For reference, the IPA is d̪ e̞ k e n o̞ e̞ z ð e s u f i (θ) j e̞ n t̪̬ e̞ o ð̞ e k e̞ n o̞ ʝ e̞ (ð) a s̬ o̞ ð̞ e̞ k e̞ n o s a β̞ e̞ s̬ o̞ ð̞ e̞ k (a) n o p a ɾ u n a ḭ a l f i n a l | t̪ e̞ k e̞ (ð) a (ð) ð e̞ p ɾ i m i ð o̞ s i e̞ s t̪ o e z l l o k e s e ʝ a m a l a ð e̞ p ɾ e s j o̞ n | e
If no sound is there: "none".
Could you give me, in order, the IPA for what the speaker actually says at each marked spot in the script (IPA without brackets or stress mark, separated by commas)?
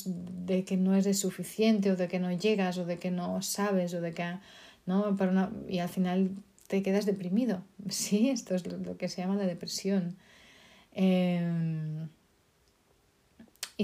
θ, ɣ, a, ð, z